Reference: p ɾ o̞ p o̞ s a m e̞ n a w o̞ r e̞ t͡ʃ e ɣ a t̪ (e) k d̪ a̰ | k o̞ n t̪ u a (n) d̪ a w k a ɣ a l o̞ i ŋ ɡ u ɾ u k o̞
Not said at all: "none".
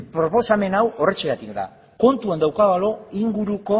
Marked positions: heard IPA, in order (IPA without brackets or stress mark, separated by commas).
i, n